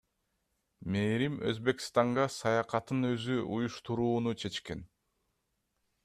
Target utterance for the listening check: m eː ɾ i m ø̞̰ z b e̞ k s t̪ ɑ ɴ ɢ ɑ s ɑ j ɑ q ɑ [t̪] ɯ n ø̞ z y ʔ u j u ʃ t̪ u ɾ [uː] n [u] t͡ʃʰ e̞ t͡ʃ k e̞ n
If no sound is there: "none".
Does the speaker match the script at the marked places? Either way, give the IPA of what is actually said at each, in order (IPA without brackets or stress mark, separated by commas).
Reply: t̪, uː, u